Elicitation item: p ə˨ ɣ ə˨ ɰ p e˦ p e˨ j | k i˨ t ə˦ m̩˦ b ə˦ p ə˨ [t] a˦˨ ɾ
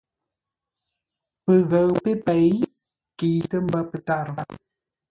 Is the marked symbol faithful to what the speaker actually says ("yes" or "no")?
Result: yes